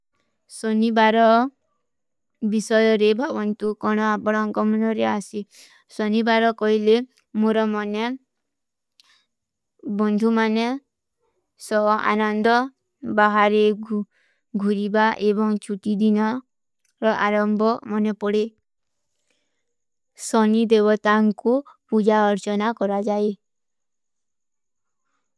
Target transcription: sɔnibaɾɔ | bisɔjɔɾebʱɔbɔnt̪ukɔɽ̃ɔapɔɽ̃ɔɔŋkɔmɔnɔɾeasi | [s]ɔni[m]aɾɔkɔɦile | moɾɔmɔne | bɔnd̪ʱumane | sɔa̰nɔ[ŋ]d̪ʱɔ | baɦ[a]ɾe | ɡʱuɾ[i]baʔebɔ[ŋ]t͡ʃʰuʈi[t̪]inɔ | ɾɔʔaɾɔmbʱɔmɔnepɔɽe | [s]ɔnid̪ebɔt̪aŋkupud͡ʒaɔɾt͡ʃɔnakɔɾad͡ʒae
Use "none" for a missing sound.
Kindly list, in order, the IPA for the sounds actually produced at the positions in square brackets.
s, b, n, a, i, ŋ, d̪, s

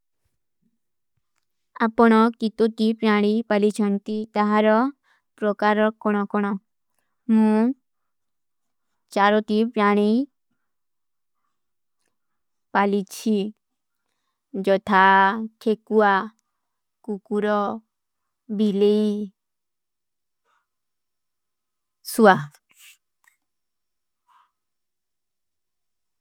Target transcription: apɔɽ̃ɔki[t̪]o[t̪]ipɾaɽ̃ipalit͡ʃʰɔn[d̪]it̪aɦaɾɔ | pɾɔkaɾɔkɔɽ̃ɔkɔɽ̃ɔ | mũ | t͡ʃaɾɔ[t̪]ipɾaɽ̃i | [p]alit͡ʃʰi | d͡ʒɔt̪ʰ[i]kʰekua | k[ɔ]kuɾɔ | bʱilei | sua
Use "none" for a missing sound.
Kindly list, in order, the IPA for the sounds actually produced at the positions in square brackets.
t̪, t̪, t̪, t̪, p, a, u

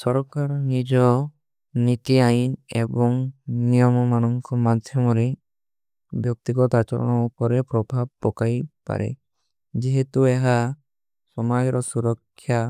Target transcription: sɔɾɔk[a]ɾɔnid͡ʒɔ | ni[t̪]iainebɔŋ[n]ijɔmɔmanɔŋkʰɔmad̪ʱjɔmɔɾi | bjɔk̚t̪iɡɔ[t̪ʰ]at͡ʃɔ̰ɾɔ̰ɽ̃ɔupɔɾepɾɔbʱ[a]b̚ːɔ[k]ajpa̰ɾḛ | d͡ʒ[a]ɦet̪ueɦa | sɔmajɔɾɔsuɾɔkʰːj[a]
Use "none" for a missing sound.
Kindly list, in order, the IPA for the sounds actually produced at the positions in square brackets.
a, t̪, n, t̪, a, k, i, a

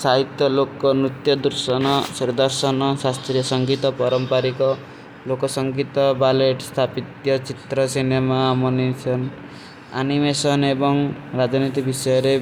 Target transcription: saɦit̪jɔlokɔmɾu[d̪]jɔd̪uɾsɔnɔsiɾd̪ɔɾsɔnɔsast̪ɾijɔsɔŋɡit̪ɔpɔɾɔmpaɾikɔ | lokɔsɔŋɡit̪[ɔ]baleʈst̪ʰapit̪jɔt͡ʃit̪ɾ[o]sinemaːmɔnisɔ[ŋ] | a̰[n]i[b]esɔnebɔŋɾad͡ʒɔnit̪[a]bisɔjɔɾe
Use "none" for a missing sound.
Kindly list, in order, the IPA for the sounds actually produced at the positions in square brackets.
t̪, ɔ, ɔ, n, n, m, i

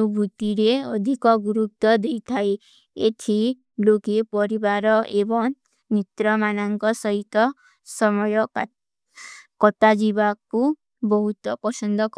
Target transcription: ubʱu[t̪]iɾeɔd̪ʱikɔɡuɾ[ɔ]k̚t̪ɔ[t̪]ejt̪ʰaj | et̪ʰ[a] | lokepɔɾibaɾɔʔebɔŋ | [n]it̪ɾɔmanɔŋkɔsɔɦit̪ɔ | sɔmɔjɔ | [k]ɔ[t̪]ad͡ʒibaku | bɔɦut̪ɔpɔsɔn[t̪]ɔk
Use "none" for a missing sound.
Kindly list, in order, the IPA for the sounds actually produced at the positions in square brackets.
t̪, u, d̪, i, n, k, t̪, d̪

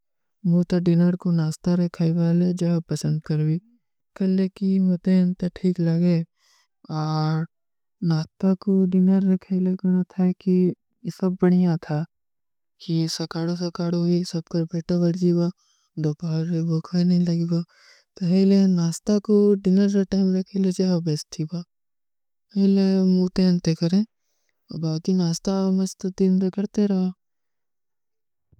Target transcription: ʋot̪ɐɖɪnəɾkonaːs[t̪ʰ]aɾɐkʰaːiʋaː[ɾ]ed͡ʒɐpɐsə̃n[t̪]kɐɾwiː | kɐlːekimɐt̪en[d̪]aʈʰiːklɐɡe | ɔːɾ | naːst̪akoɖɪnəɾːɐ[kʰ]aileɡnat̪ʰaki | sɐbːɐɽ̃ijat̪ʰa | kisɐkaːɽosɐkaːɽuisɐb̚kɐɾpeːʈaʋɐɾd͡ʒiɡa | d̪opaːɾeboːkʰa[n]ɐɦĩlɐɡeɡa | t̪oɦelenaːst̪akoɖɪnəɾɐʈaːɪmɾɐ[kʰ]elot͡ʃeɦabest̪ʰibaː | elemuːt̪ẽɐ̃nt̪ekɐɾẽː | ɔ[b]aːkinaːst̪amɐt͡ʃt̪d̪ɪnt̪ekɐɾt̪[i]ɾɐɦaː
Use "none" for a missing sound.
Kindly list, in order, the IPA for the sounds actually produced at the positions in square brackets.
t̪, l, d̪, t̪, kʰ, n, kʰ, b, e

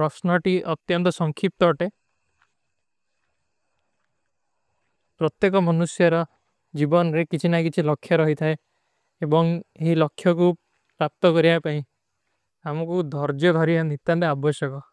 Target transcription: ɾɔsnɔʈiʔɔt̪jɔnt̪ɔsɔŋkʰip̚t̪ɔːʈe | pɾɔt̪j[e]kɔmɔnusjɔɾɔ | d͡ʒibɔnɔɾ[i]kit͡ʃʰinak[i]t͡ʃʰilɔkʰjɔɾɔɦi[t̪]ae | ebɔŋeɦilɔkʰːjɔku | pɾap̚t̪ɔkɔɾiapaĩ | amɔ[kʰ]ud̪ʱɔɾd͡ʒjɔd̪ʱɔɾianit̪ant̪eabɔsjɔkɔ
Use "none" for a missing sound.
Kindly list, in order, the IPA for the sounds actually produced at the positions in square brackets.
e, e, i, t̪ʰ, k

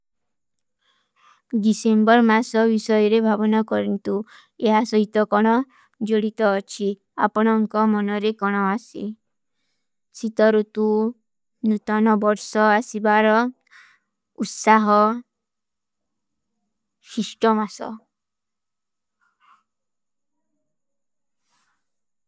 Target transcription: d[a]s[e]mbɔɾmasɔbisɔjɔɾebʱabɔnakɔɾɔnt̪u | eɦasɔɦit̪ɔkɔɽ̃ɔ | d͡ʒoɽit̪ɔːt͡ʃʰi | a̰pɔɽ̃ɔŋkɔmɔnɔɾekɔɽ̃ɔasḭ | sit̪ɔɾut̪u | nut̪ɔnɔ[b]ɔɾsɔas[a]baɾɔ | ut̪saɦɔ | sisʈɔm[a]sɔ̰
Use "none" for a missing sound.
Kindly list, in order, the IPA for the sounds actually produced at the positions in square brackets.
i, e, b, i, a

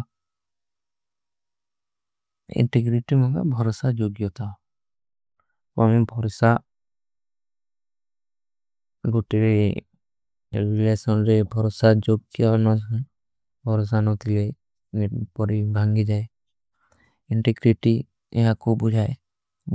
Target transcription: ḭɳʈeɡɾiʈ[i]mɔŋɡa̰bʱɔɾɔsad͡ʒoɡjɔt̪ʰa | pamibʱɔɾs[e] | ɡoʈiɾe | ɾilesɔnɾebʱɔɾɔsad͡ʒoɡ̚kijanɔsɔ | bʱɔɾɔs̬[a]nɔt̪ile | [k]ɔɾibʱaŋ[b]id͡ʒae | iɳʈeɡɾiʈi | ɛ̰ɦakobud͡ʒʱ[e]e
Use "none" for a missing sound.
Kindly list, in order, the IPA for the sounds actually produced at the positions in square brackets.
i, a, a, p, ɡ, a

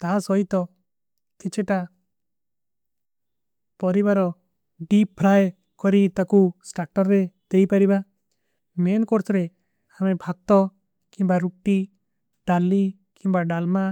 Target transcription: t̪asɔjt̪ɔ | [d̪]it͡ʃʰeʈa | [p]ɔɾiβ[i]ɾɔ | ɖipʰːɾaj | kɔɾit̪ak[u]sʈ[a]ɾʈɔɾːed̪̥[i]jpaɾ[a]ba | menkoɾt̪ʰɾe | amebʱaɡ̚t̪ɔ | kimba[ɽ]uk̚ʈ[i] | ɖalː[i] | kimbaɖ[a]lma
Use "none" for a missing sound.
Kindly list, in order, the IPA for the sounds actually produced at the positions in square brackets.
t̪, p, a, u, a, e, i, ɾ, i, i, a

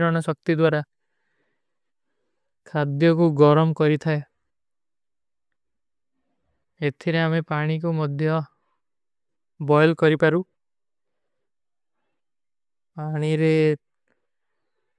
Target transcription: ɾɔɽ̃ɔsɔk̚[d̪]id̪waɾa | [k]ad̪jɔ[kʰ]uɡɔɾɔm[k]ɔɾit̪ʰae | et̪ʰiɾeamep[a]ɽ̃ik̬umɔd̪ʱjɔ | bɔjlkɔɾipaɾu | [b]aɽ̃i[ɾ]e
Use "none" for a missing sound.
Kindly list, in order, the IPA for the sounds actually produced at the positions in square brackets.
t̪, kʰ, k, k, a, p, ɾ

